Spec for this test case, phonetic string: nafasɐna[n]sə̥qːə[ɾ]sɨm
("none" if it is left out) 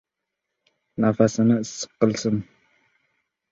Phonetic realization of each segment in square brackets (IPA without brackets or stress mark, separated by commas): none, l